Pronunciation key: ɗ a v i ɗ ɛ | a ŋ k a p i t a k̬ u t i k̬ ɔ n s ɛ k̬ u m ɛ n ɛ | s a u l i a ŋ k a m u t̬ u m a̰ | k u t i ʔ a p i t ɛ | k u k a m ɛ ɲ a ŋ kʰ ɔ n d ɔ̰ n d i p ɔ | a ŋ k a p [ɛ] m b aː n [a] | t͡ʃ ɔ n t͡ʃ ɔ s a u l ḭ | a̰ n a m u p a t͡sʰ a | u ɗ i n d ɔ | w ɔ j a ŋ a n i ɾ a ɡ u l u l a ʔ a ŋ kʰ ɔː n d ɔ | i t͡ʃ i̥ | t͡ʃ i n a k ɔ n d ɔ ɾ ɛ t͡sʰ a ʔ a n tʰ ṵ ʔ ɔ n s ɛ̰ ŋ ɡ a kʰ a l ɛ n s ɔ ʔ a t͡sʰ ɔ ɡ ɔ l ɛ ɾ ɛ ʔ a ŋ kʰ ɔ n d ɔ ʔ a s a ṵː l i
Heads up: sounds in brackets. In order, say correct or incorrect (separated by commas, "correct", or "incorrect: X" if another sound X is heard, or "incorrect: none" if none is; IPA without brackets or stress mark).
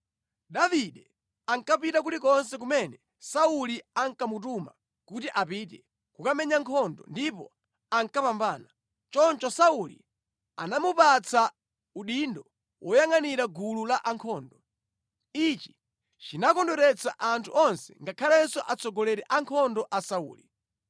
incorrect: a, correct